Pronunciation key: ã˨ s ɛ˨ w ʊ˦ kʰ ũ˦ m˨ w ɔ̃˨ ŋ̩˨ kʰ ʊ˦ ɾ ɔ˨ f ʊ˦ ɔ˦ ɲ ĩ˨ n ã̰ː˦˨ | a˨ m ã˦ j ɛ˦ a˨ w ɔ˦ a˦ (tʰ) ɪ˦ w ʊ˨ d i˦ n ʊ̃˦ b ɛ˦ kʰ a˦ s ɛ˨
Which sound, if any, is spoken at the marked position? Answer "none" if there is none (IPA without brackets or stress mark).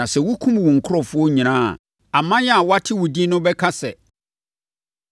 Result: tʰ